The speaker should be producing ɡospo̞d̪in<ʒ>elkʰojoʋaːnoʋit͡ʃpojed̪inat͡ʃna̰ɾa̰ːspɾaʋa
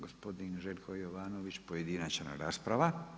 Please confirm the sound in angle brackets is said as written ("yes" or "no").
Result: yes